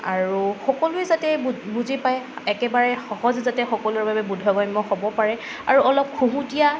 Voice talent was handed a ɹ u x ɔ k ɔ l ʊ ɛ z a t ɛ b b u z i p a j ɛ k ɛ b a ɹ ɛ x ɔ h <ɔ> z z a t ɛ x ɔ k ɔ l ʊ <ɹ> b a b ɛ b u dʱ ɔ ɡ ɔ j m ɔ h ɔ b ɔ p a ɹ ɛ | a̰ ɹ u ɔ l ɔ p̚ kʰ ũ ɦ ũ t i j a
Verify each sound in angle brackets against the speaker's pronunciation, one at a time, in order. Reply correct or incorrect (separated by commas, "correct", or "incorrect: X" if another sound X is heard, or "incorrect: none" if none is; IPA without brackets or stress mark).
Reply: correct, correct